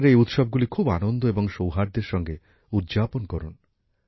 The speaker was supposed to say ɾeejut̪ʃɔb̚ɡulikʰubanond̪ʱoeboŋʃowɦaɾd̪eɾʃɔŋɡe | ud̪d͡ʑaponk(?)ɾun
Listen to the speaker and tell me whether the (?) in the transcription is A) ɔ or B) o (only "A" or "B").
A